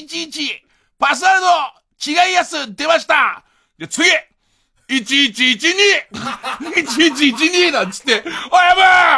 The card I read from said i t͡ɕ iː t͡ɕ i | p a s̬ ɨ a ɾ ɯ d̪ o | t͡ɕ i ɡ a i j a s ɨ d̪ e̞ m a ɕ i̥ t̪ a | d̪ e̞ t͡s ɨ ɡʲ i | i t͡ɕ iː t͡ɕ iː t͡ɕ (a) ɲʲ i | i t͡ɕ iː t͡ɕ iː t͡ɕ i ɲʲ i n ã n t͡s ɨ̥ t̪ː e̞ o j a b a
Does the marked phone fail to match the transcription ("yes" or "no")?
yes